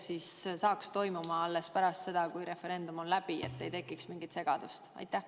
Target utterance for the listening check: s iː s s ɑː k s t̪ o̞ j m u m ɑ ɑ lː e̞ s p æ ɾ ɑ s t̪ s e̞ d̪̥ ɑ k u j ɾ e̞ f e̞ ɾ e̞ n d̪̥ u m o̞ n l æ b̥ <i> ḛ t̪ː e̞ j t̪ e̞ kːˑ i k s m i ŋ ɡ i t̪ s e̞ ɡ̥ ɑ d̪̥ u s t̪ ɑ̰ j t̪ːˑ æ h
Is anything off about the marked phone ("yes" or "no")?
no